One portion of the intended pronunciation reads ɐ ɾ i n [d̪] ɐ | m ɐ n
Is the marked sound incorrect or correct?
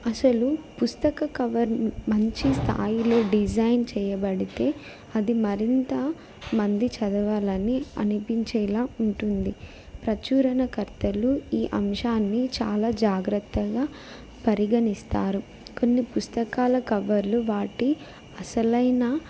incorrect: t̪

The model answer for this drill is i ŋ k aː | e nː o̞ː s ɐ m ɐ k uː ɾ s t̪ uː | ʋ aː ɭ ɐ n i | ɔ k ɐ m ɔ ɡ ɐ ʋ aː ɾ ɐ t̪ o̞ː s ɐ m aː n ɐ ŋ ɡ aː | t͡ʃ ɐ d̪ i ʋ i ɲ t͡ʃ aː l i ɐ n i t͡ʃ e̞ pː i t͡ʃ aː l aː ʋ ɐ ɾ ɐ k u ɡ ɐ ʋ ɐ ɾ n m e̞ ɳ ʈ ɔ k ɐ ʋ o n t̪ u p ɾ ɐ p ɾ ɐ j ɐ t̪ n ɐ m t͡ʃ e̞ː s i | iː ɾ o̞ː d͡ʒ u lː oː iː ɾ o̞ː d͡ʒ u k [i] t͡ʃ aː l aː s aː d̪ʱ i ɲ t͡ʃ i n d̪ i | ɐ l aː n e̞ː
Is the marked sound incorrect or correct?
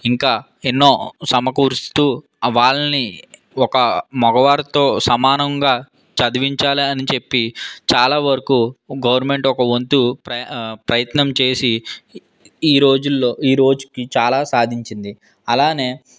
correct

